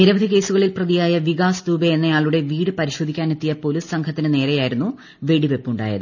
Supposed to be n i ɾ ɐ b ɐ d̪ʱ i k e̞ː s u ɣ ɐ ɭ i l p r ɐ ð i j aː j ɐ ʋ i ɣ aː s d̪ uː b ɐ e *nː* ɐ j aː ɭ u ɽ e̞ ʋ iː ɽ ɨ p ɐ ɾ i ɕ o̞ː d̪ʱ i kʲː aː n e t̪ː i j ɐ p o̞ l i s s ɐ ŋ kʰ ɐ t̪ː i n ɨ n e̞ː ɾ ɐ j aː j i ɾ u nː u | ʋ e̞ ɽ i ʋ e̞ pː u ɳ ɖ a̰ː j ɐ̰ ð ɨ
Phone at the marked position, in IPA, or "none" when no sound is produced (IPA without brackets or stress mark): nː